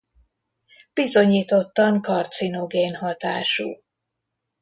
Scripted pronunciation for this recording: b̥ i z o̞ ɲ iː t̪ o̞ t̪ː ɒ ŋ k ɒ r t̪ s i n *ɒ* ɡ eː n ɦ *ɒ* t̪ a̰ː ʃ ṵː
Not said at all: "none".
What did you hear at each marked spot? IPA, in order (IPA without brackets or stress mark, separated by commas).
o, ɒ